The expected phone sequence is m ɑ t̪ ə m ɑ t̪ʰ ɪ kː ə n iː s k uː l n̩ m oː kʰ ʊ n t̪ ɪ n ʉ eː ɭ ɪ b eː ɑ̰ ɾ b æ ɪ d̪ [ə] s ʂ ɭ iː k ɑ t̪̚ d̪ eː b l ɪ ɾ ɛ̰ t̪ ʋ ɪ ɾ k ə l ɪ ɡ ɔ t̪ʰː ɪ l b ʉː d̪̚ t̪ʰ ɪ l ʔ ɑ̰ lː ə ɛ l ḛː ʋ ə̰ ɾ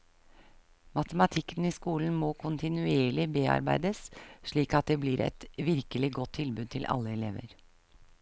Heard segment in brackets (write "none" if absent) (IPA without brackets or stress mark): ə